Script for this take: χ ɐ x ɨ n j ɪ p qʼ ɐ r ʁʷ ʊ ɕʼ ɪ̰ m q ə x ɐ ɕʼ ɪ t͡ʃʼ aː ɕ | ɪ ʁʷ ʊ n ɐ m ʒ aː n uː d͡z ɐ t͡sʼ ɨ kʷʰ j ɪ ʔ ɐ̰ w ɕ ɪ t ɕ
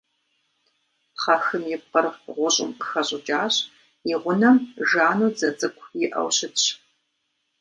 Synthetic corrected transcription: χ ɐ x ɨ m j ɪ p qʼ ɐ r ʁʷ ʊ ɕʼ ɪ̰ m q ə x ɐ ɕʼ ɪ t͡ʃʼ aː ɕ | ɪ ʁʷ ʊ n ɐ m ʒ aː n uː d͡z ɐ t͡sʼ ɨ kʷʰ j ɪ ʔ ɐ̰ w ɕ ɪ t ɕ